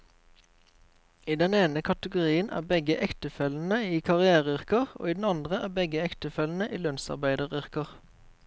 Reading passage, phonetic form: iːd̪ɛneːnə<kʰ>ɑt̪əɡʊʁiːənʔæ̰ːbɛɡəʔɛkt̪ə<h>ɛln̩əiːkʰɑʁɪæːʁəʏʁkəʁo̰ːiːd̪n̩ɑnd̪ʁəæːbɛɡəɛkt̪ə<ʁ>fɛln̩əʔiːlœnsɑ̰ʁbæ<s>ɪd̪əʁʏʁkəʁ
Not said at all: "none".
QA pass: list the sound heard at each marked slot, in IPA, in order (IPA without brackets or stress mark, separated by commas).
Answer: kʰ, f, none, none